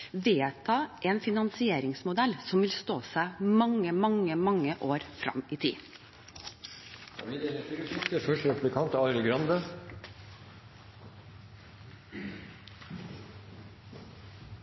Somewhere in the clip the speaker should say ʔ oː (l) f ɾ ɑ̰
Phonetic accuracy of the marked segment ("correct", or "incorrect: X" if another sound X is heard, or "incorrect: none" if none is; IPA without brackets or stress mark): incorrect: ɾ